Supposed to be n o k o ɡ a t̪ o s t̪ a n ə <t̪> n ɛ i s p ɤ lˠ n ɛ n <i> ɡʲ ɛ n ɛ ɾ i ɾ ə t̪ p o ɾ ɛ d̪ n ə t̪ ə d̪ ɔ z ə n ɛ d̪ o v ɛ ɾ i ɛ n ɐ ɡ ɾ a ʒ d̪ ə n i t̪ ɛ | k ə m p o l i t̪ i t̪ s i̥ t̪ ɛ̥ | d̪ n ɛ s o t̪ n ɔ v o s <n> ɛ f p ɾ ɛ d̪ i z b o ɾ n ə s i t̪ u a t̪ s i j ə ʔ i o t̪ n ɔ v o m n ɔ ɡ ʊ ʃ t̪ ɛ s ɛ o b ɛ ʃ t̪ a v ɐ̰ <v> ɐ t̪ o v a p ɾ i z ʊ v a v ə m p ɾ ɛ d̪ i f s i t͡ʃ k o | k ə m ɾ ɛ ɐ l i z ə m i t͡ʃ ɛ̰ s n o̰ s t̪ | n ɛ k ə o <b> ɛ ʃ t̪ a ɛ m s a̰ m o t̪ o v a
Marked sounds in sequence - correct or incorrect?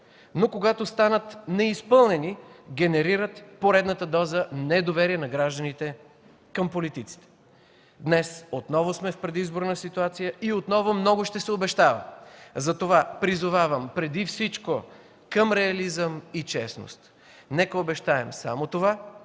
correct, correct, incorrect, incorrect, correct

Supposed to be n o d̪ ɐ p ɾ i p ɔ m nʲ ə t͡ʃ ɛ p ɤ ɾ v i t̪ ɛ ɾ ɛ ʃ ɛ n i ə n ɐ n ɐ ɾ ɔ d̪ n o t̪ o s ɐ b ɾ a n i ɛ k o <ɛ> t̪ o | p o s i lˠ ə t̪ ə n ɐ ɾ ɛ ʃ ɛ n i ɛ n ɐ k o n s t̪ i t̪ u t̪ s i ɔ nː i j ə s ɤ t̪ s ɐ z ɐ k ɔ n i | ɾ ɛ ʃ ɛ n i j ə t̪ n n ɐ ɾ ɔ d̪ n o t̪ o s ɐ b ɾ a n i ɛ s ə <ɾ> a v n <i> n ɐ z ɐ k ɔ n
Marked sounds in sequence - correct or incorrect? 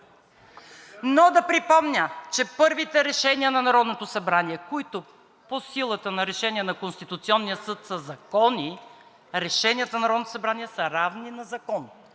incorrect, correct, correct

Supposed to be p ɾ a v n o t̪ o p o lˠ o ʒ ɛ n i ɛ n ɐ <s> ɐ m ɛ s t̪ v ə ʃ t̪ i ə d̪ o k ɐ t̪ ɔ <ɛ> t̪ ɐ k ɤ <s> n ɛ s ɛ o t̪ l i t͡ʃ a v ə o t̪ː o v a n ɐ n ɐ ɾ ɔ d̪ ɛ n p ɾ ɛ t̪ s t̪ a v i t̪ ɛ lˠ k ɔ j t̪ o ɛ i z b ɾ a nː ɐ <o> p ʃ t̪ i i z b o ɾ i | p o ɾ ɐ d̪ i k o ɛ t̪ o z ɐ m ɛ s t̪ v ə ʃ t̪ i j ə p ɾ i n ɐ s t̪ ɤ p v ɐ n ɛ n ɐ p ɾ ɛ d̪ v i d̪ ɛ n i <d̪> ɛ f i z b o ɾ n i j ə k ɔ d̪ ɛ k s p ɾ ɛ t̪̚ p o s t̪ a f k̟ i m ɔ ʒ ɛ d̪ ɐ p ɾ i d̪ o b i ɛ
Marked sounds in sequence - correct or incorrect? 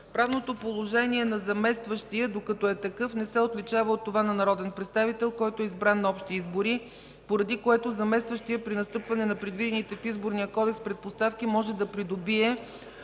incorrect, correct, incorrect, incorrect, incorrect

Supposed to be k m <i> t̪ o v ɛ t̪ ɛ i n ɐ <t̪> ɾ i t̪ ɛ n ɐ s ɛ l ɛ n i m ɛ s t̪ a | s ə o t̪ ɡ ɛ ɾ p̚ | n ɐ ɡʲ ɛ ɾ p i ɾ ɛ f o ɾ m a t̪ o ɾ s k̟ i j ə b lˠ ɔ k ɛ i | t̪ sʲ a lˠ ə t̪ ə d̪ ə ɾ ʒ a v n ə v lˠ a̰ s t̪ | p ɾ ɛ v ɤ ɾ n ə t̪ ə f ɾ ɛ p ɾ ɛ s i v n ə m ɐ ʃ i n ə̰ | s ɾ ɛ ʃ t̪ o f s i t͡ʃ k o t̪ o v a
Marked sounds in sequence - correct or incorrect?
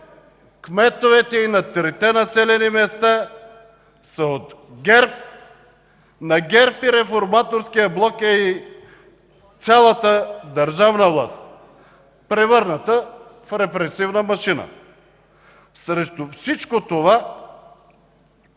incorrect, correct

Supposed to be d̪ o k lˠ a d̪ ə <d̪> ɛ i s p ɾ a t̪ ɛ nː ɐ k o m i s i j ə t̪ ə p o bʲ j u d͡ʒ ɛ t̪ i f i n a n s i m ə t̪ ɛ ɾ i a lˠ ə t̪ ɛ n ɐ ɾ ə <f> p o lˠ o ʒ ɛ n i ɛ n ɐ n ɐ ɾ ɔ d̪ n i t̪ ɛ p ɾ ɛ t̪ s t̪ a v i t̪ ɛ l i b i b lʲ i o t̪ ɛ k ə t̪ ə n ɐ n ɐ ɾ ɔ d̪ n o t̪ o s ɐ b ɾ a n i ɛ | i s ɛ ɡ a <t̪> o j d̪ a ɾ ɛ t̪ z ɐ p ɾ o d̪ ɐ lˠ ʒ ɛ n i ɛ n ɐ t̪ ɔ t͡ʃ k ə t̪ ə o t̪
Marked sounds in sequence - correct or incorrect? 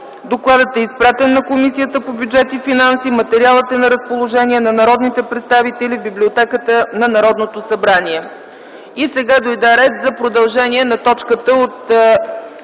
incorrect, incorrect, incorrect

